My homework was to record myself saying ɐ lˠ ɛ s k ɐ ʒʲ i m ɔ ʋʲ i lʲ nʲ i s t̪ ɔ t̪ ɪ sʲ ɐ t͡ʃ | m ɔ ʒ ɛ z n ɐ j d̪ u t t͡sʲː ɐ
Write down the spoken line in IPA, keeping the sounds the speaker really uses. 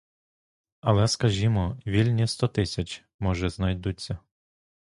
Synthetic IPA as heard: ɐ lˠ ɛ s k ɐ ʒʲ i m ɔ ʋʲ i lʲ nʲ i s t̪ ɔ t̪ ɪ sʲ ɐ t͡ʃ | m ɔ ʒ ɛ z n ɐ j d̪ u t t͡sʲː ɐ